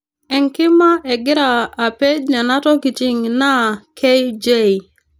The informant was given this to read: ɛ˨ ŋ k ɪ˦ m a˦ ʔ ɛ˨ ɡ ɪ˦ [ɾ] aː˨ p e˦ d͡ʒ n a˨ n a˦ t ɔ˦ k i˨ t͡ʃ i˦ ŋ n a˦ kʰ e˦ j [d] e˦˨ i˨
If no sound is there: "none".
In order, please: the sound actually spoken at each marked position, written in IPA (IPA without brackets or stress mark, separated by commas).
ɾ, d͡ʒ